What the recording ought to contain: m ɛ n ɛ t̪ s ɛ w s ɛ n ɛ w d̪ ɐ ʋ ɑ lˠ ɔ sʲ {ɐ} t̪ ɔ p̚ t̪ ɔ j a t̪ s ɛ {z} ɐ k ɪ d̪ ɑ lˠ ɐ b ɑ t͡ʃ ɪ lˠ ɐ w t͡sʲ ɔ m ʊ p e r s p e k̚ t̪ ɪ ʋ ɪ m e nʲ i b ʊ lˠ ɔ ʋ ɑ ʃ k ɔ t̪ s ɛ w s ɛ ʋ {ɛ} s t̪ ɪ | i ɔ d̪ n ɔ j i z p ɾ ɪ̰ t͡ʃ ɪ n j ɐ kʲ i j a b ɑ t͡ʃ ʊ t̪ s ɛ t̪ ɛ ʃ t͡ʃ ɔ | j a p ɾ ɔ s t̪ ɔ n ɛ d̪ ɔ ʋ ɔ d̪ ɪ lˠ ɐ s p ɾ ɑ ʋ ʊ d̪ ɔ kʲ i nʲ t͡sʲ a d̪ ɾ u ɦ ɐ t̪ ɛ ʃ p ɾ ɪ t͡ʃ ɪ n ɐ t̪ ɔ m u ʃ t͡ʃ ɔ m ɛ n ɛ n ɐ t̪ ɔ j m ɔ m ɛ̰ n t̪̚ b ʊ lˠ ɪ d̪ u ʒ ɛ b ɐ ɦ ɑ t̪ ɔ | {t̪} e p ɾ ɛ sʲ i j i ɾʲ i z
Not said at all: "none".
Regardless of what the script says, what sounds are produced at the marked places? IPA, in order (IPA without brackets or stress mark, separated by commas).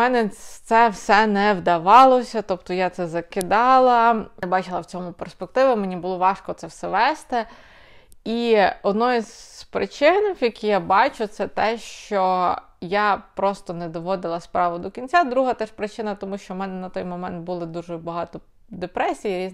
ɐ, z, ɛ, d̪